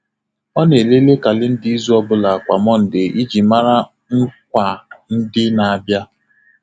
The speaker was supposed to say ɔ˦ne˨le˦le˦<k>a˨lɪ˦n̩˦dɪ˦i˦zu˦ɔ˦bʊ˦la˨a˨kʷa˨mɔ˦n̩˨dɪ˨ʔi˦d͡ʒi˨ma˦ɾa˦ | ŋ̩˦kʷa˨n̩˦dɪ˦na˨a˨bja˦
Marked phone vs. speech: correct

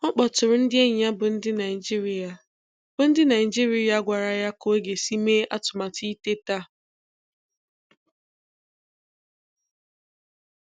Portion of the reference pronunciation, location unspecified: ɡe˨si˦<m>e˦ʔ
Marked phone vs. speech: correct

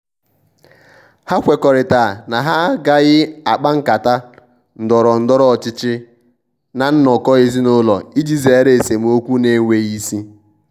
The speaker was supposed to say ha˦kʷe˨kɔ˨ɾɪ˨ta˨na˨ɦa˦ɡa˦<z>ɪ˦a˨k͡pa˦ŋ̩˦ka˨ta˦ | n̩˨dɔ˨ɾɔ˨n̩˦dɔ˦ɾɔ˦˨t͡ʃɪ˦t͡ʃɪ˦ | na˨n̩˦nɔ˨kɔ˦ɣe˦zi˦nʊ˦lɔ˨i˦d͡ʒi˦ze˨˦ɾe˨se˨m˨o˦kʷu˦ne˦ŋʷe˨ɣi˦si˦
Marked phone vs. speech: incorrect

